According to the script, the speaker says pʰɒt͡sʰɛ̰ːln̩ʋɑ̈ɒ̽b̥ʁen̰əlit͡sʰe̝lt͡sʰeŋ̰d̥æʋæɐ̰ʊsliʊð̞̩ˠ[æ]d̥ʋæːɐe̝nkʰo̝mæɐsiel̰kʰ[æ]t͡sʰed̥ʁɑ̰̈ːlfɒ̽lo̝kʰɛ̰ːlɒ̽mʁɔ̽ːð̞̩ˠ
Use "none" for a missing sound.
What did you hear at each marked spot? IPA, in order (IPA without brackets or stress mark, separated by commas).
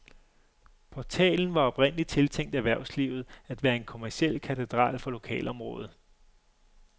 æ, æ